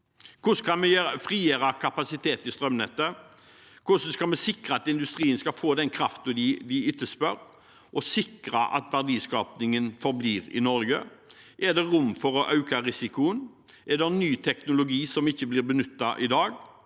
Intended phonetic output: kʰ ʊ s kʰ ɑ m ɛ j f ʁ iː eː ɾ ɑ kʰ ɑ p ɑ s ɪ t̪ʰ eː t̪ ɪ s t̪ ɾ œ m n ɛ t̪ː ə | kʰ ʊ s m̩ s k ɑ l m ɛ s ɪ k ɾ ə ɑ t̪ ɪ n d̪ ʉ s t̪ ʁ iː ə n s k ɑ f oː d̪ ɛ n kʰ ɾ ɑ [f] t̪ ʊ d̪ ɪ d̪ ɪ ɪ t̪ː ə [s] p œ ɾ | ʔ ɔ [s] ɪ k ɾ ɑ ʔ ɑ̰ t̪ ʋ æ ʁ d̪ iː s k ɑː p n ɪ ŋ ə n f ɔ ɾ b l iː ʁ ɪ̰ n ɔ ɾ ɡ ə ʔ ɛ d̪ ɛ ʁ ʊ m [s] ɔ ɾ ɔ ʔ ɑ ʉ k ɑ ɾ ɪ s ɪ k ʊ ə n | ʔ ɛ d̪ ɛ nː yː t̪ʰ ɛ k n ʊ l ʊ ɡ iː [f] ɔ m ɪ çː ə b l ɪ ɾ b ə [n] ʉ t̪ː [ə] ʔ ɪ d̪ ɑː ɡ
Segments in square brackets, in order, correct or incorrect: correct, correct, correct, incorrect: f, incorrect: s, correct, incorrect: ɑ

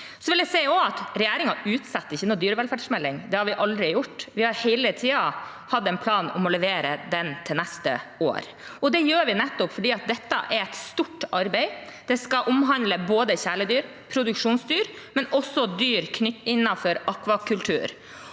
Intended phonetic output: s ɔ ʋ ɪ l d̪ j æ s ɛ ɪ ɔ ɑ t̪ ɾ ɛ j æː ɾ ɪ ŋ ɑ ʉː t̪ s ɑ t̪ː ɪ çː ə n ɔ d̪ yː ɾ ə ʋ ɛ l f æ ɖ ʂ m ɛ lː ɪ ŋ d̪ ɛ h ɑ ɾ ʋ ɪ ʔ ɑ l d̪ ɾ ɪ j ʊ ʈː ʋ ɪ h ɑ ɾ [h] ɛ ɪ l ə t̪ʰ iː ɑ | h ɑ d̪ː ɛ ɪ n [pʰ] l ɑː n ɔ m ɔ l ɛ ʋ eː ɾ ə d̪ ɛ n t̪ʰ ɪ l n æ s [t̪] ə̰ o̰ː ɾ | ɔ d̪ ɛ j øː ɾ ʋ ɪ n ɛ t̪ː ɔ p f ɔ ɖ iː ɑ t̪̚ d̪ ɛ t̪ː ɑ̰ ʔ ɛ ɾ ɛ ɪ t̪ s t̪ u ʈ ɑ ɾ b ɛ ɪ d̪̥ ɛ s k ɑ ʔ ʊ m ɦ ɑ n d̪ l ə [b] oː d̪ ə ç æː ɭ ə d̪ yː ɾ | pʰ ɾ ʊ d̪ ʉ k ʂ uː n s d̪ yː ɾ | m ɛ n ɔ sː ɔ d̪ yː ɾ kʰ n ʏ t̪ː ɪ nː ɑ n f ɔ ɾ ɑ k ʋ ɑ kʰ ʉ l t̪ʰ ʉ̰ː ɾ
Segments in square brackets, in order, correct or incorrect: correct, correct, correct, correct

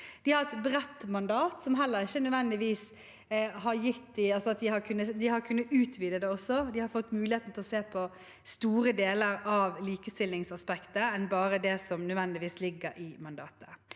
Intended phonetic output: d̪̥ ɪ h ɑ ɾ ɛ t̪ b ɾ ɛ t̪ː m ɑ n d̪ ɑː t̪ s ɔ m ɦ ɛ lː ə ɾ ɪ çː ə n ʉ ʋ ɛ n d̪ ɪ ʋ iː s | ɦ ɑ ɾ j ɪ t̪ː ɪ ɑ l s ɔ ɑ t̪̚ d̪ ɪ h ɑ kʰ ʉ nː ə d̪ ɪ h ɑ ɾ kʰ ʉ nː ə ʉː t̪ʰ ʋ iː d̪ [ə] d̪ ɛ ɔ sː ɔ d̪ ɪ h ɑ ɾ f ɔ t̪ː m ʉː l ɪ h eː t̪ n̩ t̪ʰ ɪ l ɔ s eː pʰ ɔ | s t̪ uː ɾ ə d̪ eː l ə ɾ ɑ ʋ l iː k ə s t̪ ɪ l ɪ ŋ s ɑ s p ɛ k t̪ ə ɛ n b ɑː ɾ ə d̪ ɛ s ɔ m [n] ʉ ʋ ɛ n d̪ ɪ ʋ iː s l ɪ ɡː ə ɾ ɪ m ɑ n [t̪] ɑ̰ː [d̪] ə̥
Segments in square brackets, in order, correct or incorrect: correct, correct, incorrect: d̪, incorrect: t̪

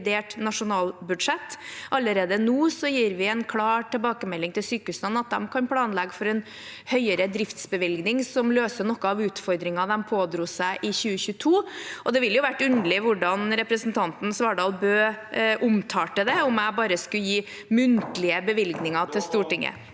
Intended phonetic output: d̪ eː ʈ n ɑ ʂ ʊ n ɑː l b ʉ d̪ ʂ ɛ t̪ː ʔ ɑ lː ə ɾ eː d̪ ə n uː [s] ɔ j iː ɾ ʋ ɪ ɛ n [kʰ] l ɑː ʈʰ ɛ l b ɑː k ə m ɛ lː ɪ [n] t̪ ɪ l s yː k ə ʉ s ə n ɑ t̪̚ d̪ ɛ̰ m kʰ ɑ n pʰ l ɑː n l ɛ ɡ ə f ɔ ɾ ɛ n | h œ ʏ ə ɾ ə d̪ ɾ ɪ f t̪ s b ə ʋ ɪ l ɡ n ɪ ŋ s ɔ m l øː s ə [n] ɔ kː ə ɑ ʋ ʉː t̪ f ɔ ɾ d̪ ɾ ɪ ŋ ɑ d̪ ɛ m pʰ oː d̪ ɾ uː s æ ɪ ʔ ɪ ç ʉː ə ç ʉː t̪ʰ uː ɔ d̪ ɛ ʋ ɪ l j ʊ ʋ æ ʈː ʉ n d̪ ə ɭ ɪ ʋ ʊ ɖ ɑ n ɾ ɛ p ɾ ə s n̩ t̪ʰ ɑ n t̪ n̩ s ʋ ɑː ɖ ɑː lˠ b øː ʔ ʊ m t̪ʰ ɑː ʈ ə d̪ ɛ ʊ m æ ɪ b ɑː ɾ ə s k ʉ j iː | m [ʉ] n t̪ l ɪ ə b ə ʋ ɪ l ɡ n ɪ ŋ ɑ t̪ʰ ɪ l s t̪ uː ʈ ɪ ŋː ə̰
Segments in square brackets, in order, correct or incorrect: correct, correct, incorrect: ŋ, correct, correct

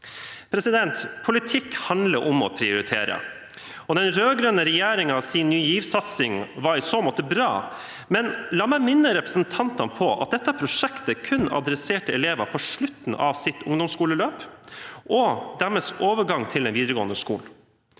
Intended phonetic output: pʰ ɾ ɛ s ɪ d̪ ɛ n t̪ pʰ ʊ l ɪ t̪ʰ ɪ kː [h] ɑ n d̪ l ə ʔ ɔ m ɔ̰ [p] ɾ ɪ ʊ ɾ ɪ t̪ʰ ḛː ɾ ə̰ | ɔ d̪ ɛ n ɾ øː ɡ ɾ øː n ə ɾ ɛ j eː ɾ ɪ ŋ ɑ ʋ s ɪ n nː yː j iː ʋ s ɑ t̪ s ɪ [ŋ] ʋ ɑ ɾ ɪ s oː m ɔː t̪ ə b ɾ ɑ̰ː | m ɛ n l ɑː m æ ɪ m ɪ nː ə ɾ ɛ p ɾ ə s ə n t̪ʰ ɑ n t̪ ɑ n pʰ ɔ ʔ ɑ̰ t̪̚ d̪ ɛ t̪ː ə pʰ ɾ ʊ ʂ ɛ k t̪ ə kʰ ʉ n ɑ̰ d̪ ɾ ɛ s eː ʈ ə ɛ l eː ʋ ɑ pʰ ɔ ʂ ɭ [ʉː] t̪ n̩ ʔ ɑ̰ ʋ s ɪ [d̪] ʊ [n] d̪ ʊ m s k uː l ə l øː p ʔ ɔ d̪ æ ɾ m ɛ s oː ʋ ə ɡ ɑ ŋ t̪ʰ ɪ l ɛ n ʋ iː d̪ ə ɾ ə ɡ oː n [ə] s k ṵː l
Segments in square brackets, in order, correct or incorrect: correct, incorrect: pʰ, correct, incorrect: ʉ, incorrect: t̪, incorrect: ŋ, correct

